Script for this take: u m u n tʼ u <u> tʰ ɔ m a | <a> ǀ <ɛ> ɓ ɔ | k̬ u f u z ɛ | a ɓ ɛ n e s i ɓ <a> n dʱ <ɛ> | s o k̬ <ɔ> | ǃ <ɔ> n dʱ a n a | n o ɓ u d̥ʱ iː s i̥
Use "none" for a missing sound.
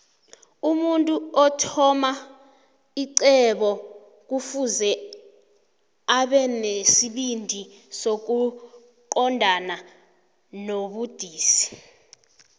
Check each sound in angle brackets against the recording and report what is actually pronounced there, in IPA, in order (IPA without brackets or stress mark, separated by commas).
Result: ɔ, i, ɛ, i, i, u, ɔ